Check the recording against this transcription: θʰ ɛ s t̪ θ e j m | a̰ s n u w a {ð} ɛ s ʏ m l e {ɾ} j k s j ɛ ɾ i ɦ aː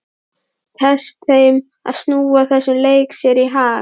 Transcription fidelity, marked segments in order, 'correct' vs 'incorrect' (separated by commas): incorrect, incorrect